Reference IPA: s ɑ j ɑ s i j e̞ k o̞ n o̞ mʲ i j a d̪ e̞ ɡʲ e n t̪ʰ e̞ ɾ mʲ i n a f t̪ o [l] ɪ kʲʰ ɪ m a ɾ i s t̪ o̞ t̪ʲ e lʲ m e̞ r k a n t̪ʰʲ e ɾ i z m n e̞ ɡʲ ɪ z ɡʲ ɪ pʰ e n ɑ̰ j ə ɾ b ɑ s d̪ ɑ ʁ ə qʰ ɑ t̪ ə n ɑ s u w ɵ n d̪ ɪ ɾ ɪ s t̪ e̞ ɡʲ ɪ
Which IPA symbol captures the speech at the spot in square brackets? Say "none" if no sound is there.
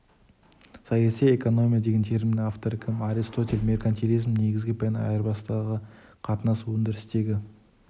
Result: ɾ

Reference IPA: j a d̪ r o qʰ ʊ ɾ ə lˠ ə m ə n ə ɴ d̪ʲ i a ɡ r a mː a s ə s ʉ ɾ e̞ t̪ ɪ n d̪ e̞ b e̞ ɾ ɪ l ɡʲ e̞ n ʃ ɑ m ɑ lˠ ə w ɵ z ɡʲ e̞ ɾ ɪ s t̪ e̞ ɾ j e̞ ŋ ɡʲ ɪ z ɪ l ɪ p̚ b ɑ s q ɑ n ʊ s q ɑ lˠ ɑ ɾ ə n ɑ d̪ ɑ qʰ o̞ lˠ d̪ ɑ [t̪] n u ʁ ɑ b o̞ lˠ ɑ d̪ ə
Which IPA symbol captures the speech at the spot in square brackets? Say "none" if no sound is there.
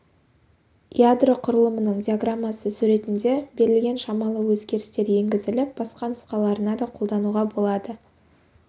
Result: none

